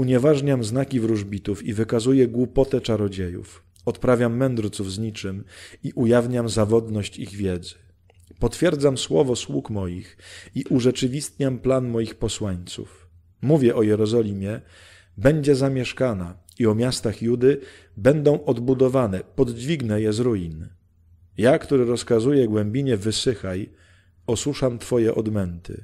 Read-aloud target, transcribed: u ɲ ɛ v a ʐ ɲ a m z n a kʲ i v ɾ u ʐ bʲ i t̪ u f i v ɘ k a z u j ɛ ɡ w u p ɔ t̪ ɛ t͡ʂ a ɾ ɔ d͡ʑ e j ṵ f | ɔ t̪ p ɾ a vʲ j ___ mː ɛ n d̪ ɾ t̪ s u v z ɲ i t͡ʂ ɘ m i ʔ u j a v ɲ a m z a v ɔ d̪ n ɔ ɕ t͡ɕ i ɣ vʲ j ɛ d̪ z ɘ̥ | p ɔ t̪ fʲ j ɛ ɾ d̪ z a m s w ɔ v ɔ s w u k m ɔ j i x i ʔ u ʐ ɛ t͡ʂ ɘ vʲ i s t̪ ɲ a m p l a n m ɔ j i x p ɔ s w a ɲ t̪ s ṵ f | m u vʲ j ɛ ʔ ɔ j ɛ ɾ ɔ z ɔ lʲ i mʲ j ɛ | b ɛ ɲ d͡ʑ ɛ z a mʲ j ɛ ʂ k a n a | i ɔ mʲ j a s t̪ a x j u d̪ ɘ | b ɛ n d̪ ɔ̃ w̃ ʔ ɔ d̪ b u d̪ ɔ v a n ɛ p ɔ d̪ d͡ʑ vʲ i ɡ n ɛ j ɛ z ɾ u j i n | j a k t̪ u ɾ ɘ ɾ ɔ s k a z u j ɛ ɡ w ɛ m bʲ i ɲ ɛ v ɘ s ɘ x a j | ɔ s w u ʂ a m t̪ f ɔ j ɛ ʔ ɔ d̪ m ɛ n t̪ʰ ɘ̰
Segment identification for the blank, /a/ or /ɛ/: a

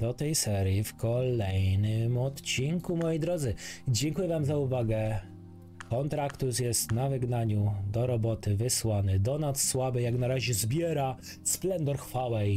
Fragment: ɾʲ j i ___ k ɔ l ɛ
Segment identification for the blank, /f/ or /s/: f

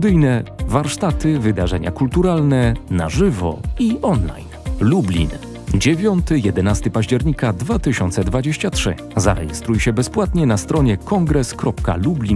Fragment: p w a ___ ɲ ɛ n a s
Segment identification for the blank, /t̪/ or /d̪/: t̪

